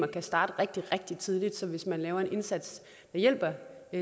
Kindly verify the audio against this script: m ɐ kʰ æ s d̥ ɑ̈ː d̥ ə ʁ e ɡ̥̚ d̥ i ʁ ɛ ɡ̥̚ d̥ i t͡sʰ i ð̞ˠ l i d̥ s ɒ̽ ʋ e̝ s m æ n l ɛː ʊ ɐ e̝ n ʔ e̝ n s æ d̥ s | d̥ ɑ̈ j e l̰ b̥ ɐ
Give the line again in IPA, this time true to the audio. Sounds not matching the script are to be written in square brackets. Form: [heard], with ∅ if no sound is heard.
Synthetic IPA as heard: m ɐ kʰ æ s d̥ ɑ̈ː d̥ ə ʁ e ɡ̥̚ d̥ i ʁ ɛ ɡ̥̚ d̥ i t͡sʰ i ð̞ˠ l i d̥ s ɒ̽ ʋ e̝ s m æ n l ɛː ʊ ɐ e̝ n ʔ e̝ n s æ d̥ s | d̥ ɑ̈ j e l̰ b̥ ɐ

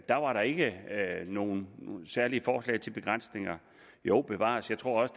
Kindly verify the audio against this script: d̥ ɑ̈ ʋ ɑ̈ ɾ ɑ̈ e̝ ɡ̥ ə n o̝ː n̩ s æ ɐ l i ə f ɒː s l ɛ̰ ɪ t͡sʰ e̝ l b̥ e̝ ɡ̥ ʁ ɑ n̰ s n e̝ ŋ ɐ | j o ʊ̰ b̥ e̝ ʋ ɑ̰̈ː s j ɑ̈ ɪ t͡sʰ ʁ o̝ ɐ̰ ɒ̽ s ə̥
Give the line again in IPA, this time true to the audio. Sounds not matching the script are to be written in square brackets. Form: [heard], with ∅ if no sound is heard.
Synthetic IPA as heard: d̥ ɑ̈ ʋ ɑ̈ ɾ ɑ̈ e̝ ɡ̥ ə n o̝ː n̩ s æ ɐ l i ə f ɒː s l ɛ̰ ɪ t͡sʰ e̝ l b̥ e̝ ɡ̥ ʁ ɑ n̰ s n e̝ ŋ ɐ | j o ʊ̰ b̥ e̝ ʋ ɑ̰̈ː s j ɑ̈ ɪ t͡sʰ ʁ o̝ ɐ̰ ɒ̽ s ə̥

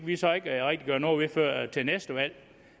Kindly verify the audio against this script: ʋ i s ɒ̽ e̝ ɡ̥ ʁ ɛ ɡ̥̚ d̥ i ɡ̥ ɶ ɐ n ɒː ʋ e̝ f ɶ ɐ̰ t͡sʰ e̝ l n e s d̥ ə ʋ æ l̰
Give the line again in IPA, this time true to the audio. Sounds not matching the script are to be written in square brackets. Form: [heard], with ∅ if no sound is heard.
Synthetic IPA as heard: ʋ i s ɒ̽ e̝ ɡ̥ ʁ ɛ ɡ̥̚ d̥ i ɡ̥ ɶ ɐ n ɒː ʋ e̝ f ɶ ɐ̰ t͡sʰ e̝ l n e s d̥ ə ʋ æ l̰

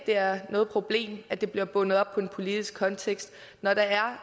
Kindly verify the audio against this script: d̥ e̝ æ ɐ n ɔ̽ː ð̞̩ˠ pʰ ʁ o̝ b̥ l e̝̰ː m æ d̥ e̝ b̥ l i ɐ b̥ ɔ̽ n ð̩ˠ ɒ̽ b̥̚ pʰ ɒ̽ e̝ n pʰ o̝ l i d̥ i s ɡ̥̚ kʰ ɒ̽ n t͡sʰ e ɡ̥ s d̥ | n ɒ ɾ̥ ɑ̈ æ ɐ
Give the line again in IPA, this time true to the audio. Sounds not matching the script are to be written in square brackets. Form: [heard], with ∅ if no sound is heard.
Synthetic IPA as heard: d̥ e̝ æ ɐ n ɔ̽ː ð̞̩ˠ pʰ ʁ o̝ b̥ l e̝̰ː m æ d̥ e̝ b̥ l i ɐ b̥ ɔ̽ n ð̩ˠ ɒ̽ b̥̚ pʰ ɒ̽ e̝ n pʰ o̝ l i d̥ i s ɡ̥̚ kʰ ɒ̽ n t͡sʰ e ɡ̥ s d̥ | n ɒ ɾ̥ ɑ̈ æ ɐ

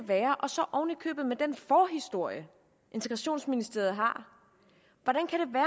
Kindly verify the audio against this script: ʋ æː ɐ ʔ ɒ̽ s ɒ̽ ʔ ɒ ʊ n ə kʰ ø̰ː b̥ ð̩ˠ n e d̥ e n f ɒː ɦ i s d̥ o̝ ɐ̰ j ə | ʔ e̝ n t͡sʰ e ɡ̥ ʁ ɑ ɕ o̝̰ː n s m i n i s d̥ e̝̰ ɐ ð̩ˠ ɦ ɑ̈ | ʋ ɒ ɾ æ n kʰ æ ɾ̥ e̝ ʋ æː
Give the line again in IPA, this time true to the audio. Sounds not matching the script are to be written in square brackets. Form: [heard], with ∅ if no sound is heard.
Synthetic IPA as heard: ʋ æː ɐ ʔ ɒ̽ s ɒ̽ ʔ ɒ ʊ n ə kʰ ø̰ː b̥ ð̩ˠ [m] e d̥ e n f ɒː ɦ i s d̥ o̝ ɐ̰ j ə | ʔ e̝ n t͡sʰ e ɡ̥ ʁ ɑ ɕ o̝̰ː n s m i n i s d̥ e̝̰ ɐ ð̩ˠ ɦ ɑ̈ | ʋ ɒ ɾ æ n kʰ æ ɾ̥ e̝ ʋ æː

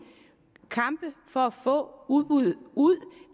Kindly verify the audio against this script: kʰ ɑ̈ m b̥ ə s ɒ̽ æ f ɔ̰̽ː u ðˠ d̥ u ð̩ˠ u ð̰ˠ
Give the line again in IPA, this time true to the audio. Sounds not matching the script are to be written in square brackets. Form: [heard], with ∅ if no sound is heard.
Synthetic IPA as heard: kʰ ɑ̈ m b̥ ə [f] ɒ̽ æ f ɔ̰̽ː u ðˠ [b̥] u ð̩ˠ u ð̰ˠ

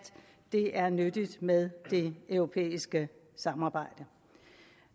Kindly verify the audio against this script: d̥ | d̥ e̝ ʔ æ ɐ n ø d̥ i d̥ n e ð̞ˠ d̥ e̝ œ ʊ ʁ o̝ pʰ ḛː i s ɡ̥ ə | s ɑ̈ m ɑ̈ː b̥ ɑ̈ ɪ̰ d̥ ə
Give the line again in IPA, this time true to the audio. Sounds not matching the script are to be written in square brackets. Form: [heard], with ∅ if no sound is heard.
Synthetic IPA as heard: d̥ | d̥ e̝ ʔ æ ɐ n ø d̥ i d̥ [m] e ð̞ˠ d̥ e̝ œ ʊ ʁ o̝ pʰ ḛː i s ɡ̥ ə | s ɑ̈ m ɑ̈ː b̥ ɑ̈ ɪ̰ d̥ ə

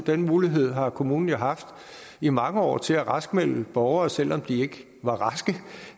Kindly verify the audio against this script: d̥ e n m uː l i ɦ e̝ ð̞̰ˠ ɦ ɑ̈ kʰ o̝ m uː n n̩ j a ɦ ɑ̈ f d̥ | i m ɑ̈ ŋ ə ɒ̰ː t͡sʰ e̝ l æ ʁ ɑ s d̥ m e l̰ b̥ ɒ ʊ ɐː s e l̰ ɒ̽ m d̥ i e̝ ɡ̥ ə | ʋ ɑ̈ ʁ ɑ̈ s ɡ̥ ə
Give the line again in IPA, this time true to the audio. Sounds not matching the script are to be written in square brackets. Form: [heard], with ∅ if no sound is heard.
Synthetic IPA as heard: d̥ e n m uː l i ɦ e̝ ð̞̰ˠ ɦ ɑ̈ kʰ o̝ m uː n n̩ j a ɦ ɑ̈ f d̥ | i m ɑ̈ ŋ ə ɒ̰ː t͡sʰ e̝ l æ ʁ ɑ s [ɡ̥] m e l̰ b̥ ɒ ʊ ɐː s e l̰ ɒ̽ m d̥ i e̝ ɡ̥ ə | ʋ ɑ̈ ʁ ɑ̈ s ɡ̥ ə

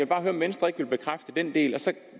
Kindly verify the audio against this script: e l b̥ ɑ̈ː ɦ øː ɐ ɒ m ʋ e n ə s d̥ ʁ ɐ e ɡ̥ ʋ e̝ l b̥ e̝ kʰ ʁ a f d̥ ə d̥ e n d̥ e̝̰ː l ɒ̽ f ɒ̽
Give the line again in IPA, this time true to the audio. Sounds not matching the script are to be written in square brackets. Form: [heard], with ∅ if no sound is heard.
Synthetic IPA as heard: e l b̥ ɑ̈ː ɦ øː ɐ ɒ m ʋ e n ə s d̥ ʁ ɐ e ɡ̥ ʋ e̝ l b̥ e̝ kʰ ʁ a f d̥ ə d̥ e n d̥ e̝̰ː l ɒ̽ [s] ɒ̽

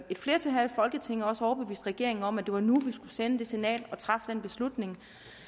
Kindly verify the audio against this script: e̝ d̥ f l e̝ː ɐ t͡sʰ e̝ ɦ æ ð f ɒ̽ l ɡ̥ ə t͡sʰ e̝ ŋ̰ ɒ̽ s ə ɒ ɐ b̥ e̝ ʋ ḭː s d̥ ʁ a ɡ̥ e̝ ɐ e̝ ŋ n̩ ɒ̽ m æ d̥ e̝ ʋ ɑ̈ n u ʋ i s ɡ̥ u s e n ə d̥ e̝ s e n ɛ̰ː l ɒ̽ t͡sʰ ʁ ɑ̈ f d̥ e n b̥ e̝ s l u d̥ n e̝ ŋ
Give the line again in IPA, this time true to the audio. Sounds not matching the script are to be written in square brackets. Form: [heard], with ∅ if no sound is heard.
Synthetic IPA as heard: e̝ d̥ f l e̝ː ɐ t͡sʰ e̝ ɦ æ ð f ɒ̽ l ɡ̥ ə t͡sʰ e̝ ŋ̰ ɒ̽ s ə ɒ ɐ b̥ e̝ ʋ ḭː s d̥ ʁ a ɡ̥ e̝ ɐ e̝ ŋ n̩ ɒ̽ m æ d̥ e̝ ʋ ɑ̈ n u ʋ i s ɡ̥ u s e n ə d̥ e̝ s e n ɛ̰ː l ɒ̽ t͡sʰ ʁ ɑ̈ f d̥ e n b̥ e̝ s l u d̥ n e̝ ŋ

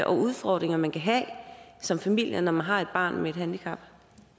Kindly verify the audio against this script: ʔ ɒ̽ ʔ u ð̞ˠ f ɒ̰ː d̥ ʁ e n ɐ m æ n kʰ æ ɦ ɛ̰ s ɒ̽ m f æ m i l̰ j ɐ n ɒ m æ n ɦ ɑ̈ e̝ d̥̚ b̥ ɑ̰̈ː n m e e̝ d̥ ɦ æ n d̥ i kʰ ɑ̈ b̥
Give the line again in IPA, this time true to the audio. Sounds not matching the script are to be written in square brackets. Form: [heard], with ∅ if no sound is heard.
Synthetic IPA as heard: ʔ ɒ̽ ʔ u ð̞ˠ f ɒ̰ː d̥ ʁ e [ŋ] ɐ m æ n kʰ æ ɦ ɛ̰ s ɒ̽ m f æ m i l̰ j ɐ n ɒ m æ n ɦ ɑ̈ e̝ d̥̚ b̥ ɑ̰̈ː n m e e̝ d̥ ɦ æ n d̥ i kʰ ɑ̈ b̥

